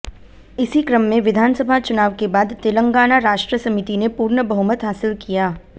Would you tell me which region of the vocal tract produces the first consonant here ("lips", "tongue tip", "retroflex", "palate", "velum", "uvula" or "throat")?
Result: tongue tip